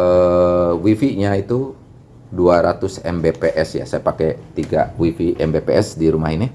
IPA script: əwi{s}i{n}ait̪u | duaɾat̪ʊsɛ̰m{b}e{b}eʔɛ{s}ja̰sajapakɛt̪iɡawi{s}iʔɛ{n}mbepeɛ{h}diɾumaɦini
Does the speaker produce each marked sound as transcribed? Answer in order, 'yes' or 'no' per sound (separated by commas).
no, no, yes, no, yes, no, no, no